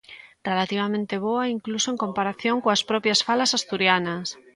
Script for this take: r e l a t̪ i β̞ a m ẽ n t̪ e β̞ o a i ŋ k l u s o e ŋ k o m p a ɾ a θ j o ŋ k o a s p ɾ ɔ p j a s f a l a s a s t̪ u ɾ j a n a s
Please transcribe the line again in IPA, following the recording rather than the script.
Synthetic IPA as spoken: r e l a t̪ i β̞ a m ẽ n t̪ e β̞ o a i ŋ k l u s o e ŋ k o m p a ɾ a θ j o ŋ k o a s p ɾ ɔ p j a s f a l a s a s t̪ u ɾ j a n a s